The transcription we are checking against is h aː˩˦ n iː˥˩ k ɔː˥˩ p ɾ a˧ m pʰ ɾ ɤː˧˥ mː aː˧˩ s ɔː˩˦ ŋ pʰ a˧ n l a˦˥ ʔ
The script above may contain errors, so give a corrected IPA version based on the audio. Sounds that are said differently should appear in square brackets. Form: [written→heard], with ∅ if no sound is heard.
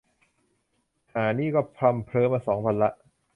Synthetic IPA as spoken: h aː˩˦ n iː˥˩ k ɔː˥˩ [p→pʰ] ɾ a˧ m pʰ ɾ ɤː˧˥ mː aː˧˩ s ɔː˩˦ ŋ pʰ a˧ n l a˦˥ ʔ